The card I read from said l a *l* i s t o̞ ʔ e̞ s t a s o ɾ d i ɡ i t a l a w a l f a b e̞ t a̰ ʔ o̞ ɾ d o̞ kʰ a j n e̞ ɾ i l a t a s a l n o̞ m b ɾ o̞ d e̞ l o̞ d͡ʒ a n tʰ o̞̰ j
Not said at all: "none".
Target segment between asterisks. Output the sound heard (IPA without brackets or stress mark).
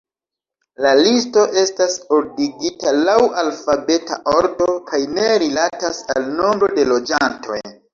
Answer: l